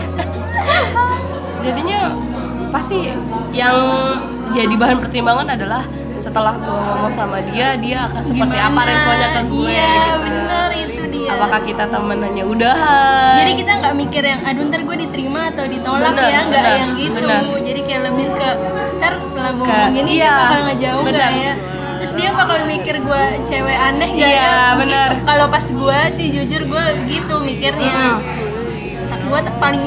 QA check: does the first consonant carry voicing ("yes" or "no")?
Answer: yes